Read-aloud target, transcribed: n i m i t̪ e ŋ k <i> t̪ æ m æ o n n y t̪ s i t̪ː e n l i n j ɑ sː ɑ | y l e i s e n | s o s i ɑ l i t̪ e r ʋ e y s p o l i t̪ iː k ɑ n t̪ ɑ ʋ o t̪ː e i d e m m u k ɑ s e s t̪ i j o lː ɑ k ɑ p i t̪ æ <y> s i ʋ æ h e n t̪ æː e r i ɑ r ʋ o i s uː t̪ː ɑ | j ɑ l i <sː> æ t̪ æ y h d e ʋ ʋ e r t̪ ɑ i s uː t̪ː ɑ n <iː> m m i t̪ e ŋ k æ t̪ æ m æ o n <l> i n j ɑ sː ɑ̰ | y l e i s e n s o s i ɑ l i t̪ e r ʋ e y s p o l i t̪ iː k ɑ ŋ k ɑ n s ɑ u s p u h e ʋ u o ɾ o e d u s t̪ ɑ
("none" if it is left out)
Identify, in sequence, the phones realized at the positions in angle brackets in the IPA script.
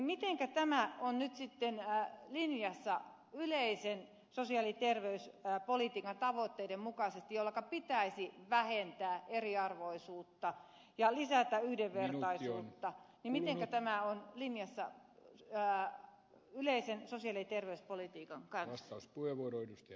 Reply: æ, i, s, i, l

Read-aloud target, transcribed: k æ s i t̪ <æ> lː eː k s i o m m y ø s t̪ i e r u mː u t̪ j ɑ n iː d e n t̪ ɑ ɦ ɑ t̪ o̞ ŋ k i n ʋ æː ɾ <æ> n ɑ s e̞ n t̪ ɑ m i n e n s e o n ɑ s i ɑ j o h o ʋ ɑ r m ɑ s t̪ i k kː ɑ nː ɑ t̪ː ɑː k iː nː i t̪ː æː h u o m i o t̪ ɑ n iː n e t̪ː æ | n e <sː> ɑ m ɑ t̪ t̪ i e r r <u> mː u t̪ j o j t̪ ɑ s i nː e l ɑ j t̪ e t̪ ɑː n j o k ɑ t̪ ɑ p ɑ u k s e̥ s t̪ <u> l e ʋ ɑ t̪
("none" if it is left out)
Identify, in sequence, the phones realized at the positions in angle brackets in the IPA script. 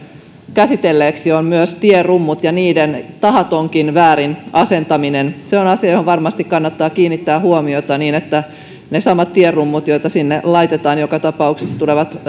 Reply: e, i, s, u, u

